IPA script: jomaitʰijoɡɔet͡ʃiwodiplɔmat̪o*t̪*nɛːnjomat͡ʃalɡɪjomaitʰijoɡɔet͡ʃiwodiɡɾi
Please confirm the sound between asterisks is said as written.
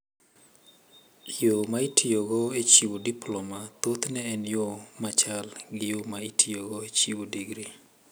yes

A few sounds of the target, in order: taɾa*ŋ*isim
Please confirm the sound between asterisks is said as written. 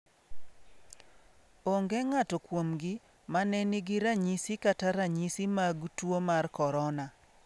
no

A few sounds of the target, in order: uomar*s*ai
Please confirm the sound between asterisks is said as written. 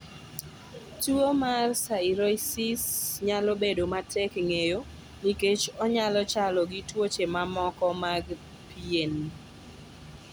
yes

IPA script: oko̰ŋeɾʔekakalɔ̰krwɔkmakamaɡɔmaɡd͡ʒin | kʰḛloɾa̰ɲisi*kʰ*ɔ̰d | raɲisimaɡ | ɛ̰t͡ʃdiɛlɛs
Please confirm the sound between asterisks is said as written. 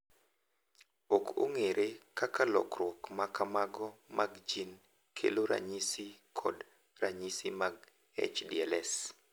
yes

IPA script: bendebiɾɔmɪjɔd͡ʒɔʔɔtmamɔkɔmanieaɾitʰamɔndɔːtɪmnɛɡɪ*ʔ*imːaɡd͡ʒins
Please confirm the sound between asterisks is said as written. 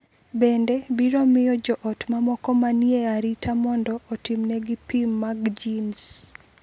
no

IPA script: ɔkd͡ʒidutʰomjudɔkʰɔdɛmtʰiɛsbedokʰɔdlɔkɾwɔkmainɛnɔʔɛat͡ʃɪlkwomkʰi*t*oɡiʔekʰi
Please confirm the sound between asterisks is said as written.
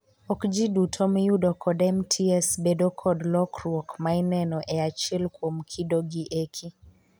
no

